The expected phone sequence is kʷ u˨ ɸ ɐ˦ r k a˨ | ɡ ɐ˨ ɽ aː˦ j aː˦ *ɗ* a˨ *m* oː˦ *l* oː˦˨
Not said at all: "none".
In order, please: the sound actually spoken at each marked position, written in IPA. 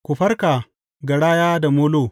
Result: d, m, l

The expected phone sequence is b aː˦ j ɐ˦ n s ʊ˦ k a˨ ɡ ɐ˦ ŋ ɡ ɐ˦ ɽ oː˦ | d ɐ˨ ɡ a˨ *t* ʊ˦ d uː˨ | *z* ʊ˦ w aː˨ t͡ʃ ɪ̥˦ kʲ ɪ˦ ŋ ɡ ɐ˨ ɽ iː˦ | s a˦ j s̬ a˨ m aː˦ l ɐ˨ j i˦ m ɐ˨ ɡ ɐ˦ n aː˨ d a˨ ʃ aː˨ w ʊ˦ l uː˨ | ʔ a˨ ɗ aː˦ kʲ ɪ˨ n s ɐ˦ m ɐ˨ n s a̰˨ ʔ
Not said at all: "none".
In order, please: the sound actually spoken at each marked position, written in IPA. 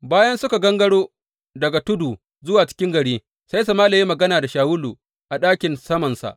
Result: t, z

